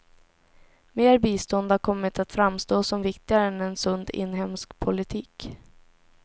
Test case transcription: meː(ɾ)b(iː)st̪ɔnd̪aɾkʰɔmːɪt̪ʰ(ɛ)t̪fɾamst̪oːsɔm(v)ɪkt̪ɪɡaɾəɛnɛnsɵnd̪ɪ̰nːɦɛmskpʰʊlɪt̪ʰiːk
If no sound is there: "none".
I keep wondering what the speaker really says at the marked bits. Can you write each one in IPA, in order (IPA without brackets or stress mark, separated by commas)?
ɾ, iː, a, v